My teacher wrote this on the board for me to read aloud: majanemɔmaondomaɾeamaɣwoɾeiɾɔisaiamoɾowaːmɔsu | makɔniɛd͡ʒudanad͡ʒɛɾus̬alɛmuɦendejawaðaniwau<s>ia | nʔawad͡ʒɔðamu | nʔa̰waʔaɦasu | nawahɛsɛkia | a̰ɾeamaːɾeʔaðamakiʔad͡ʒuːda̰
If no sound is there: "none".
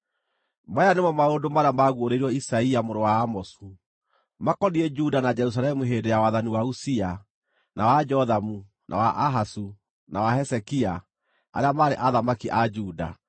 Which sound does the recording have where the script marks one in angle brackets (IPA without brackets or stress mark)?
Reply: s